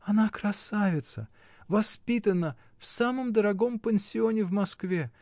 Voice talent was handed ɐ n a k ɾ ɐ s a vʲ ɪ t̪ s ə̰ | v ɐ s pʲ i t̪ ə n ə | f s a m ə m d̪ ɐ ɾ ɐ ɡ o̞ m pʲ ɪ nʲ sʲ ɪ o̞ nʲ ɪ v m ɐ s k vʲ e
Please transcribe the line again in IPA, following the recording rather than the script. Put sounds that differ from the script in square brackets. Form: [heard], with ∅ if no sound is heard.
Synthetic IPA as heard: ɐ n a k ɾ ɐ s a vʲ ɪ t̪ s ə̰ | v ɐ s pʲ i t̪ ə n ə | f s a m ə m d̪ [ə] ɾ ɐ ɡ o̞ m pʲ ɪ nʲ sʲ ɪ o̞ nʲ ɪ v m ɐ s k vʲ e